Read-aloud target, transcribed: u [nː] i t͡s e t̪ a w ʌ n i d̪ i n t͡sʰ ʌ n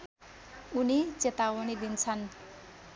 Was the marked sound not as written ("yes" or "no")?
yes